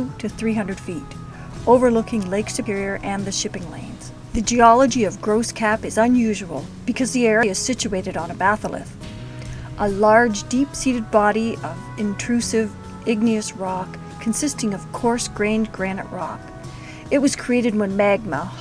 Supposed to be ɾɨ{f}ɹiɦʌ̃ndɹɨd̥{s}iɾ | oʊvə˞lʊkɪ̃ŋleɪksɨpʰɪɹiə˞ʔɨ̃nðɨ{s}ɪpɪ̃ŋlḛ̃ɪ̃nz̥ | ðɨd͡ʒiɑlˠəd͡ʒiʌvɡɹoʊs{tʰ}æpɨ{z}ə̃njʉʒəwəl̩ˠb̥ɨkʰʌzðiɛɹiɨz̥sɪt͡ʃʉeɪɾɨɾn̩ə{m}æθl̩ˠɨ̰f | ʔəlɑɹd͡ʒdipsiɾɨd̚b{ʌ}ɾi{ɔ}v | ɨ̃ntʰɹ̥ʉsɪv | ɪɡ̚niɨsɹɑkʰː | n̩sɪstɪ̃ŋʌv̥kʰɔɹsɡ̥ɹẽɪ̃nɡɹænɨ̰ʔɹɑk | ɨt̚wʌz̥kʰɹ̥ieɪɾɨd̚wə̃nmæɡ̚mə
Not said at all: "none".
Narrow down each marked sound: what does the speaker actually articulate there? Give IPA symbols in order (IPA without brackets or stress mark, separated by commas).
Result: θ, f, ʃ, kʰ, z, b, ɑ, ʌ